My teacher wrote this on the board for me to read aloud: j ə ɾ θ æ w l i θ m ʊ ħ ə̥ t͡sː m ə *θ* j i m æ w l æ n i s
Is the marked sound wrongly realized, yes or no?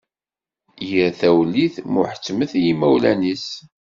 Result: no